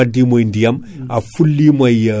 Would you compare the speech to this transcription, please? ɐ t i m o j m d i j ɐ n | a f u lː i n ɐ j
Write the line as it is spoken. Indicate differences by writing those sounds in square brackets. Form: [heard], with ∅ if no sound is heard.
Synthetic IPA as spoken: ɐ [d] i m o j [n] d i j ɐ [m] | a f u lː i [m] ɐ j